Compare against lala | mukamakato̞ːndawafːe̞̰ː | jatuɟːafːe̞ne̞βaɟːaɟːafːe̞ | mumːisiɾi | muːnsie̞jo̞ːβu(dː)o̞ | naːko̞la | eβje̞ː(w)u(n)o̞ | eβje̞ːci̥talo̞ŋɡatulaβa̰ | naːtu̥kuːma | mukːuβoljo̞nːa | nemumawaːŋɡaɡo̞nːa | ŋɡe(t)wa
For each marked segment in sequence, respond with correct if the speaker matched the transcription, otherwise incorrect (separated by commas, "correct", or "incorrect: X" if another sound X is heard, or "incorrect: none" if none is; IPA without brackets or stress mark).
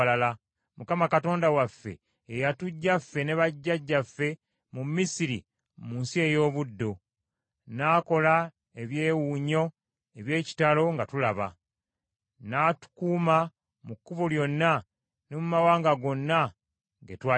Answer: correct, correct, incorrect: ɲ, correct